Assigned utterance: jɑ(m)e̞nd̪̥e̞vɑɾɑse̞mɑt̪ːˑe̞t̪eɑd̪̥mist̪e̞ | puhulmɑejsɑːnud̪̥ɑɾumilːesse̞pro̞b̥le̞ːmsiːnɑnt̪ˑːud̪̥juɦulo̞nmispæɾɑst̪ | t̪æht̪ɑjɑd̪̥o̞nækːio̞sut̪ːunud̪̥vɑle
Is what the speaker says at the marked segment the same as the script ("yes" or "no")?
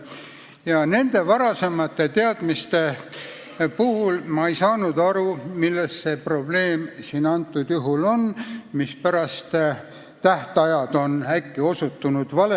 no